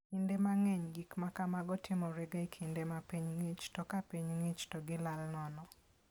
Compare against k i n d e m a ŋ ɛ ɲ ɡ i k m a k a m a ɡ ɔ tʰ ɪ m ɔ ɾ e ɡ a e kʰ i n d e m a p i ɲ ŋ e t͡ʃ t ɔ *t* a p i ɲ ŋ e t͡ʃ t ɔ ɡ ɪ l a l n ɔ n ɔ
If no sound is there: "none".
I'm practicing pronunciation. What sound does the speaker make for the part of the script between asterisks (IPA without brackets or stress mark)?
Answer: k